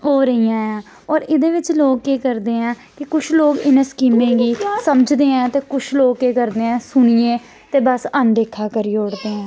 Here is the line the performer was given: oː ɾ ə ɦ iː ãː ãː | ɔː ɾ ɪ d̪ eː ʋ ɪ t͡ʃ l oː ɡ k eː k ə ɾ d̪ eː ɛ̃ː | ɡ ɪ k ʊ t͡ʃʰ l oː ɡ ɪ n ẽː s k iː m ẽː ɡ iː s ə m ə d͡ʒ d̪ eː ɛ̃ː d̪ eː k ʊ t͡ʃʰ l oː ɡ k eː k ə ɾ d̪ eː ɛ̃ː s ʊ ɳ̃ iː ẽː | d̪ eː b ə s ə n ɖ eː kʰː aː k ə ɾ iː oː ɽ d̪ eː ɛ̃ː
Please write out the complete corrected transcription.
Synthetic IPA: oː ɾ ə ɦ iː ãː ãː | ɔː ɾ ɪ d̪ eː ʋ ɪ t͡ʃ l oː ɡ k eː k ə ɾ d̪ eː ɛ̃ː | k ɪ k ʊ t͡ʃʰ l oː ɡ ɪ n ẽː s k iː m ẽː ɡ iː s ə m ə d͡ʒ d̪ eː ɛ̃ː t̪ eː k ʊ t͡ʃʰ l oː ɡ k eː k ə ɾ d̪ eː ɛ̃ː s ʊ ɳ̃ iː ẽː | t̪ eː b ə s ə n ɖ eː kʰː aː k ə ɾ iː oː ɽ d̪ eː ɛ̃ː